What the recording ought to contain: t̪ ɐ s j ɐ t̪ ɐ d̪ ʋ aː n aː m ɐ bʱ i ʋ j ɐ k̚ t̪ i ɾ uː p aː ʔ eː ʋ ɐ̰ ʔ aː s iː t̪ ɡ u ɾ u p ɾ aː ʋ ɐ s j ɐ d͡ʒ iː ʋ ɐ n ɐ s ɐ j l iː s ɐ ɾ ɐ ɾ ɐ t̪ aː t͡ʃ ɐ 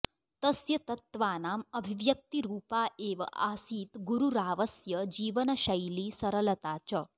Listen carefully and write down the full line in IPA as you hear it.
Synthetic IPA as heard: t̪ ɐ s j ɐ t̪ ɐ t̪ ʋ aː n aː m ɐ bʱ i ʋ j ɐ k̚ t̪ i ɾ uː p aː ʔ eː ʋ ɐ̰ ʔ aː s iː t̪ ɡ u ɾ u ɾ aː ʋ ɐ s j ɐ d͡ʒ iː ʋ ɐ n ɐ ʃ ɐ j l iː s ɐ ɾ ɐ l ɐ t̪ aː t͡ʃ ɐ

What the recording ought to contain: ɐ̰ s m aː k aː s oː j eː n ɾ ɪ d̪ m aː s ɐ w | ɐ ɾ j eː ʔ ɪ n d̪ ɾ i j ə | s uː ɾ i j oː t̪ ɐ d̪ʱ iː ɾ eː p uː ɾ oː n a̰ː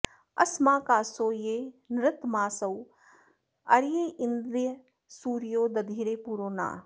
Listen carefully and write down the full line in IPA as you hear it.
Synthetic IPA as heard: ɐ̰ s m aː k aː s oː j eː n ɾ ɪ t̪ m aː s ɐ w | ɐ ɾ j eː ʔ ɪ n d̪ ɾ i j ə | s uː ɾ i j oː d̪ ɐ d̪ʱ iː ɾ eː p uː ɾ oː n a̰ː

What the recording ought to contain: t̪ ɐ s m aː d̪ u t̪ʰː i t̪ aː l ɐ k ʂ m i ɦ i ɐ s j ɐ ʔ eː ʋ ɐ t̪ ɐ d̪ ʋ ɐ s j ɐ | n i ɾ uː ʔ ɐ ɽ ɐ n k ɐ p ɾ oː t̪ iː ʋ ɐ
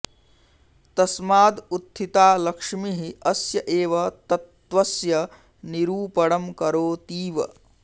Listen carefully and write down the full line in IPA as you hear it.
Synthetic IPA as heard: t̪ ɐ s m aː d̪ u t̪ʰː i t̪ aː l ɐ k ʂ m i ɦ i ɐ s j ɐ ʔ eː ʋ ɐ t̪ ɐ t̪ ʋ ɐ s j ɐ | n i ɾ uː p ɐ ɽ ɐ m k ɐ ɾ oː t̪ iː ʋ ɐ

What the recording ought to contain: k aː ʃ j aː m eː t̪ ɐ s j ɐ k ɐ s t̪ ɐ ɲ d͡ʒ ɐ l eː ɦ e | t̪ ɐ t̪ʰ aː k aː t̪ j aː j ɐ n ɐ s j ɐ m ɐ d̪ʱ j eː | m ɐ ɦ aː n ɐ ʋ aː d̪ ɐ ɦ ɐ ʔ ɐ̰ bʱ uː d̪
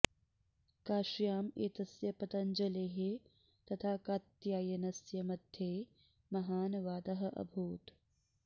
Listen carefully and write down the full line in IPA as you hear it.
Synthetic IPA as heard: k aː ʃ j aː m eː t̪ ɐ s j ɐ p ɐ t̪ ɐ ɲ d͡ʒ ɐ l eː ɦ e | t̪ ɐ t̪ʰ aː k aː t̪ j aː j ɐ n ɐ s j ɐ m ɐ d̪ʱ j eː | m ɐ ɦ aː n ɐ ʋ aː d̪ ɐ ɦ ɐ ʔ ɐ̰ bʱ uː t̪

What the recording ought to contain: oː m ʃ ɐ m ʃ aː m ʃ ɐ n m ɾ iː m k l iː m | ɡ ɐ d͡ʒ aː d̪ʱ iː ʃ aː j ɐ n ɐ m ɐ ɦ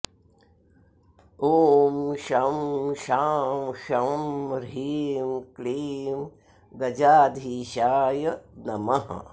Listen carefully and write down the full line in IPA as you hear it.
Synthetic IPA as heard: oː m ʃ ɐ m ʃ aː m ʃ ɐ m ɾ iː m k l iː m | ɡ ɐ d͡ʒ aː d̪ʱ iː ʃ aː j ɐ n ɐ m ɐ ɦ

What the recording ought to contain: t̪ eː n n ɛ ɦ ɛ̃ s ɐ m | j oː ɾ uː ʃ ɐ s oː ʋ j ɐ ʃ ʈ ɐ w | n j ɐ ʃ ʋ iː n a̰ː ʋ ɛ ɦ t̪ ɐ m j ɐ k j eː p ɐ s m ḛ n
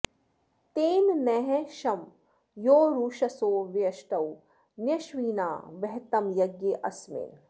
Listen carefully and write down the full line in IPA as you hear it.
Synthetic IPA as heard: t̪ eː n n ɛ ɦ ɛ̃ ʃ ɐ m | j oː ɾ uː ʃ ɐ s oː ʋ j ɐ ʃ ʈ ɐ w | n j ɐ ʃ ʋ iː n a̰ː ʋ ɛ ɦ t̪ ɐ m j ɐ ɡ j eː ʔ ɐ s m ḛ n

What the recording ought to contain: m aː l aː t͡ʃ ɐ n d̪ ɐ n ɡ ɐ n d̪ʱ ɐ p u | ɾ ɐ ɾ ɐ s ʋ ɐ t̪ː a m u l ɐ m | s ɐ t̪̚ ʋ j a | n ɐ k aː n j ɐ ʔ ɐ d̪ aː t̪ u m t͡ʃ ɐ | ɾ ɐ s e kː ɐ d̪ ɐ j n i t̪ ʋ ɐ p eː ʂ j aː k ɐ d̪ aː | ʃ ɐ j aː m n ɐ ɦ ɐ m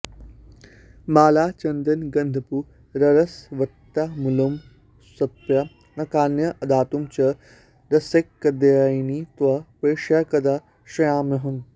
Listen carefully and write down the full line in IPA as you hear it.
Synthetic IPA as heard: m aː l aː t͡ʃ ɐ n d̪ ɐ n ɡ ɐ n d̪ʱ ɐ p u | ɾ ɐ ɾ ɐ s ʋ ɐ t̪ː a m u l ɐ m | s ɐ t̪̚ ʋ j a | n ɐ k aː n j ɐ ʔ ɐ d̪ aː t̪ u m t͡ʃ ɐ | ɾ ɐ s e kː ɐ d̪ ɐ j n i t̪ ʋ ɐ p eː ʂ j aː k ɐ d̪ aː | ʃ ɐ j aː m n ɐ ɦ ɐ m

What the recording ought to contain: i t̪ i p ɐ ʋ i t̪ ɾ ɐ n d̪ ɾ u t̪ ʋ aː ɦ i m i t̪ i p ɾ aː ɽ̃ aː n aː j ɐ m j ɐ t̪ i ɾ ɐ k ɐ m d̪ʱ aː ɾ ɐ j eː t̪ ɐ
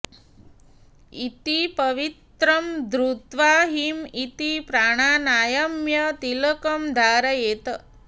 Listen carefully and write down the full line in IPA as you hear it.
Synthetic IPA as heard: i t̪ i p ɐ ʋ i t̪ ɾ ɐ m d̪ ɾ u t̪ ʋ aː ɦ i m i t̪ i p ɾ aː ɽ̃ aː n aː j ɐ m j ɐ t̪ i l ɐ k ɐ m d̪ʱ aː ɾ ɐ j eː t̪ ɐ

